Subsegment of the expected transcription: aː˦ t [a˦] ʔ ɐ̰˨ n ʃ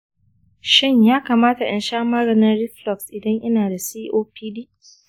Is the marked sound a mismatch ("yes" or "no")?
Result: yes